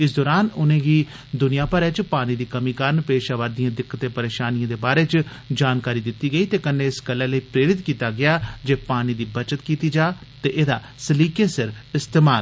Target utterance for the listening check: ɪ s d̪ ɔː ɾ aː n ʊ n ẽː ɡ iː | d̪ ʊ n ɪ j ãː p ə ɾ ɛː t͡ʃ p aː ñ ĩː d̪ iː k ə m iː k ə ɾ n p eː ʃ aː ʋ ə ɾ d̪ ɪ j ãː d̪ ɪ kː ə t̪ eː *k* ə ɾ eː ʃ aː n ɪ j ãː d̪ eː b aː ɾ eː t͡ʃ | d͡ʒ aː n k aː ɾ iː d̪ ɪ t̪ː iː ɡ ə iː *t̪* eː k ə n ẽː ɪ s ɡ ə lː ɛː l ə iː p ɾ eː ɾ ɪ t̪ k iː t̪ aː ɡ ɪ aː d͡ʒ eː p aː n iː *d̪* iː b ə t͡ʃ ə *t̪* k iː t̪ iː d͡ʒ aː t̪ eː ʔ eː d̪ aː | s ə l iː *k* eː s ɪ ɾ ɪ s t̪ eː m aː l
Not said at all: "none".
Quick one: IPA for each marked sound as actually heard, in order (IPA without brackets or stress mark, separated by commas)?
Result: p, t̪, d̪, t̪, k